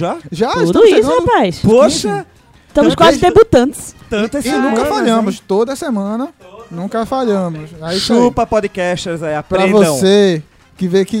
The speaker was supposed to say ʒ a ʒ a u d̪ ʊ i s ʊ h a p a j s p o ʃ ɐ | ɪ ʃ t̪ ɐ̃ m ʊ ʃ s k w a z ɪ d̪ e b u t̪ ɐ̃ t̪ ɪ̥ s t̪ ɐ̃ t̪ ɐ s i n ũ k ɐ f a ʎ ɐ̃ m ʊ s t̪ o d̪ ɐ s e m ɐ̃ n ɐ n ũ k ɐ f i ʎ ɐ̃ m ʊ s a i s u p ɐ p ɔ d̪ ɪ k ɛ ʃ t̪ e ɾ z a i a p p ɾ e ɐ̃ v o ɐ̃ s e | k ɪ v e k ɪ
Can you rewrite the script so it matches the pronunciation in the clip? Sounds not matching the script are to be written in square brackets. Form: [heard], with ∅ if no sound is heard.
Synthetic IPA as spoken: ʒ a ʒ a u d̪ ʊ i s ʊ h a p a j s p o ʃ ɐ | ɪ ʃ t̪ ɐ̃ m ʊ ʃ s k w a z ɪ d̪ e b u t̪ ɐ̃ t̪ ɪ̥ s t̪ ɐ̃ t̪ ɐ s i n ũ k ɐ f a ʎ ɐ̃ m ʊ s t̪ o d̪ ɐ s e m ɐ̃ n ɐ n ũ k ɐ f [a] ʎ ɐ̃ m ʊ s a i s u p ɐ p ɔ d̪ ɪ k ɛ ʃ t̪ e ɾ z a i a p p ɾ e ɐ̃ v o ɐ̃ s e | k ɪ v e k ɪ